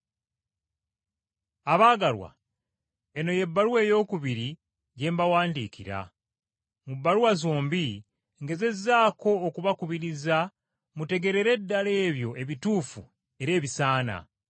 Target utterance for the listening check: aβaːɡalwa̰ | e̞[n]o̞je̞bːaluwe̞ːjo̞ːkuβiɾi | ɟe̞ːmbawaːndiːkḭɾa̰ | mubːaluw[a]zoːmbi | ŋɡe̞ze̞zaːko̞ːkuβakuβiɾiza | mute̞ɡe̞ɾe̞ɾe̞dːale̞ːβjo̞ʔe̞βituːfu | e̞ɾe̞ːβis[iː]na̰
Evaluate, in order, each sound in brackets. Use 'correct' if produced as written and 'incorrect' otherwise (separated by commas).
correct, correct, incorrect